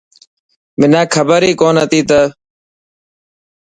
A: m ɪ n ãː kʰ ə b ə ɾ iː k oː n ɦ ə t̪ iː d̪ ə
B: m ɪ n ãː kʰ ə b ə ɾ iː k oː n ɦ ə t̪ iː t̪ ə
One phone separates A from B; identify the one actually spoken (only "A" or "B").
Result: B